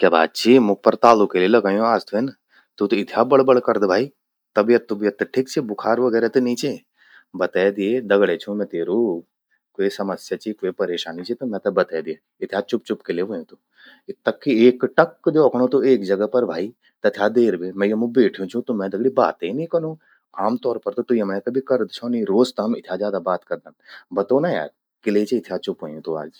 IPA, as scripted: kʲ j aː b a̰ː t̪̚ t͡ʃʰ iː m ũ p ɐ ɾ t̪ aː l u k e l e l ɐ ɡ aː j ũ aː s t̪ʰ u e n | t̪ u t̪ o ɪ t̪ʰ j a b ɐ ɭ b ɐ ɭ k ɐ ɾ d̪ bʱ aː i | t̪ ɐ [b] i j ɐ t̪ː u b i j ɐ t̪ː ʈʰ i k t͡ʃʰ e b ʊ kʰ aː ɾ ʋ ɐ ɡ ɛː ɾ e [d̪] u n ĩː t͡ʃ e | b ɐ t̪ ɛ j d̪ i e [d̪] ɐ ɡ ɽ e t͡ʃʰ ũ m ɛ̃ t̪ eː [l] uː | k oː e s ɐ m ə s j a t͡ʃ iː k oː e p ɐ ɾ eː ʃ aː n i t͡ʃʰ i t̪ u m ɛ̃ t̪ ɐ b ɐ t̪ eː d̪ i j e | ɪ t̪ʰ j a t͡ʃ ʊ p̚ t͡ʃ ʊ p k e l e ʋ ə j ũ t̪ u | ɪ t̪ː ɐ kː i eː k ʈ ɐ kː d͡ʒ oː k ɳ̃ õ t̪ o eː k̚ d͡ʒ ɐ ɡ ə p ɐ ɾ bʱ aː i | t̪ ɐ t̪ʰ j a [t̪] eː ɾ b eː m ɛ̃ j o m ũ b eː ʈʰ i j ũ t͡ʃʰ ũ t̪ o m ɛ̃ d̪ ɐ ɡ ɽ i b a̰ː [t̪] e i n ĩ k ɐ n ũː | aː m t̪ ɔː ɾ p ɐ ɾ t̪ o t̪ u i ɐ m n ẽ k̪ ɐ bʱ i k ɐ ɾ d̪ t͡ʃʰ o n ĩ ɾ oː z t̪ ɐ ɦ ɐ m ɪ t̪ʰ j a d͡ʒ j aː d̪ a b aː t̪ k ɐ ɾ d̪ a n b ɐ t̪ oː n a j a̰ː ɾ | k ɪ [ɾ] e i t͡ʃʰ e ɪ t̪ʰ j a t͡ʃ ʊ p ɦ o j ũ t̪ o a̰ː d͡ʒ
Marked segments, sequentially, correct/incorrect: correct, incorrect: t̪, correct, incorrect: ɾ, incorrect: d̪, correct, incorrect: l

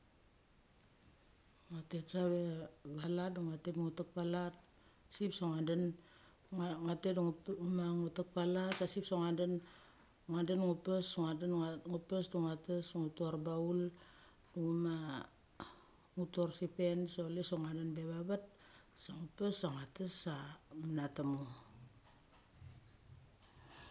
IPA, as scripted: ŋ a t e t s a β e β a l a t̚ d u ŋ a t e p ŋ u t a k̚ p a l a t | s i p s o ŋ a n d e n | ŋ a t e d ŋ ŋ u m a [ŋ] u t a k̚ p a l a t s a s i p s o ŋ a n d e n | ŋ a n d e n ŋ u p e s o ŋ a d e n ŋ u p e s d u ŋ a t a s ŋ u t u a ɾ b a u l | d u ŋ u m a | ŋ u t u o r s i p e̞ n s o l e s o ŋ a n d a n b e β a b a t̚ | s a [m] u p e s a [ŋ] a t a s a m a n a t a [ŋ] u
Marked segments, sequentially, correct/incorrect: correct, incorrect: ŋ, correct, incorrect: m

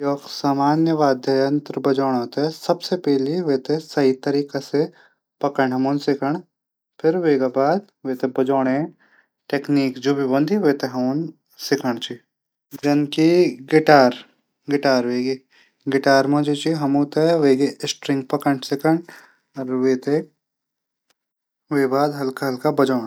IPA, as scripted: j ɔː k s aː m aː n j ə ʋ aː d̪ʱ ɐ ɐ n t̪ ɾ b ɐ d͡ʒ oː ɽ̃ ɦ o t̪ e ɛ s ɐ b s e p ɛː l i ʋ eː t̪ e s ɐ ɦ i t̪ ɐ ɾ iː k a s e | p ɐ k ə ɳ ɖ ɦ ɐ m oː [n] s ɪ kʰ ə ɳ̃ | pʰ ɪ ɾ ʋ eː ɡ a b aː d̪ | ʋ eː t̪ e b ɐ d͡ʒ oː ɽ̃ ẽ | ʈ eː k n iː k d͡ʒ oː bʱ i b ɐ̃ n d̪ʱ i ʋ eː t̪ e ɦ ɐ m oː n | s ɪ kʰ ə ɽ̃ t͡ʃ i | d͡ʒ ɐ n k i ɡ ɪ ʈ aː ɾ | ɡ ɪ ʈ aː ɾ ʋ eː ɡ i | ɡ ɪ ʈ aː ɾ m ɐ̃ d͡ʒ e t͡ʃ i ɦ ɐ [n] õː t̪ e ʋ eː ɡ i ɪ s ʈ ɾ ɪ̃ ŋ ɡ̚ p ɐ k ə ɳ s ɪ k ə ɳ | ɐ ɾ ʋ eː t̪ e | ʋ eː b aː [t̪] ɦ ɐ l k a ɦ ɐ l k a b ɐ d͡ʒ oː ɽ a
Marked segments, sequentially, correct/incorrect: correct, incorrect: m, incorrect: d̪

